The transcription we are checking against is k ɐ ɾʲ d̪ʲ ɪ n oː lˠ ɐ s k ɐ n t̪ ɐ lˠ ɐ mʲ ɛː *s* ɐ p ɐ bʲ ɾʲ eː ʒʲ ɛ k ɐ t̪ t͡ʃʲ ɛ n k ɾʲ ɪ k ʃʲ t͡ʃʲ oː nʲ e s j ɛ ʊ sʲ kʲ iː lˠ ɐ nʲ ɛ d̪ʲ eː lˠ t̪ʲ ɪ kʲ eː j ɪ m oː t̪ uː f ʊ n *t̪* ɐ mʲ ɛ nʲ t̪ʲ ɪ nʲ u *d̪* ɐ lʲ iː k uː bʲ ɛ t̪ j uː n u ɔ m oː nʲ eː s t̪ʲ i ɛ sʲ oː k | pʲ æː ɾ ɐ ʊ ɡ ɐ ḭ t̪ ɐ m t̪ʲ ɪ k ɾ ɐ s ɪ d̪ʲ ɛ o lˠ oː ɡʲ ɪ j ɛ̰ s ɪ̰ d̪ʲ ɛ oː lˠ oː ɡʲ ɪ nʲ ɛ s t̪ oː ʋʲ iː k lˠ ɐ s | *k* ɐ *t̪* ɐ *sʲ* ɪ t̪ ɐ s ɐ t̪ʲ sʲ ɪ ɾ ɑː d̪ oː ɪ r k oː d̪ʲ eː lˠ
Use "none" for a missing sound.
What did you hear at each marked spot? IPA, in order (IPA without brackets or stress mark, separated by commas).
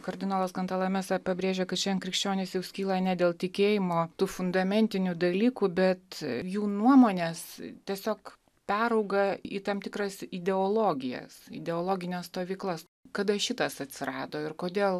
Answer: s, d̪, d̪, k, d̪, ʃʲ